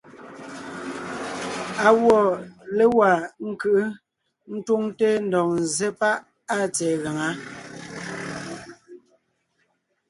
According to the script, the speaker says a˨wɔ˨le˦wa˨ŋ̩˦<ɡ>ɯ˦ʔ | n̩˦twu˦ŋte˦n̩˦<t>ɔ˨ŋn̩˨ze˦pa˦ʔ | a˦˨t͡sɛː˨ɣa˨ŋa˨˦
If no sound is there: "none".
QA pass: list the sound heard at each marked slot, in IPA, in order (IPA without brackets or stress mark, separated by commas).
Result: k, d